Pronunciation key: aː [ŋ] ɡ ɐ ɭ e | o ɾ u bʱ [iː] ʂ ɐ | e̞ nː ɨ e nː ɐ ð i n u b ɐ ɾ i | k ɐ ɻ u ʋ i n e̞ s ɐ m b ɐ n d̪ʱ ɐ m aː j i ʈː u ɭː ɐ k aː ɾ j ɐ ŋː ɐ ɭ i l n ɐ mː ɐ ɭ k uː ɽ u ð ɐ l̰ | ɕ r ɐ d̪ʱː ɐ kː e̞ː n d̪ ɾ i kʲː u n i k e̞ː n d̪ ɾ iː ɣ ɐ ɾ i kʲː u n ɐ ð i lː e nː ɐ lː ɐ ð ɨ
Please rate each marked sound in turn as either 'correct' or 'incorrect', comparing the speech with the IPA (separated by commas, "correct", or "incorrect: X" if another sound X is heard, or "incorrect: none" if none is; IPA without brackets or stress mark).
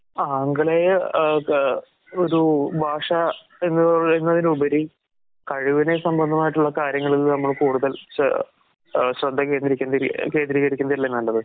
correct, incorrect: aː